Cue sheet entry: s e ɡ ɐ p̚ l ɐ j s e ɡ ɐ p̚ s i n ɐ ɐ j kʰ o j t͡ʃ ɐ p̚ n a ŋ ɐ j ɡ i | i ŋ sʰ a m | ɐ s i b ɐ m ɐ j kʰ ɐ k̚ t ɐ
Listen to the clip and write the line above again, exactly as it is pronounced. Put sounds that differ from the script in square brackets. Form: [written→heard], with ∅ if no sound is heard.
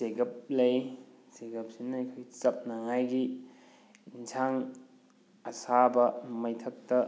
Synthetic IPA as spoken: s e ɡ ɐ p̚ l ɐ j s e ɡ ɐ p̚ s i n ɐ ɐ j kʰ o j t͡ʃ ɐ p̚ n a ŋ [ɐ→a] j ɡ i | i [ŋ→n] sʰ a [m→ŋ] | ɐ s [i→a] b ɐ m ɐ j [kʰ→tʰ] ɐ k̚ t ɐ